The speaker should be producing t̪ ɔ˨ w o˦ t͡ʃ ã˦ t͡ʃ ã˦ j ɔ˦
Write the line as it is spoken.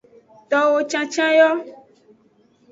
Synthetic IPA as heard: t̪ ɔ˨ w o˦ t͡ʃ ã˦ t͡ʃ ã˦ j ɔ˦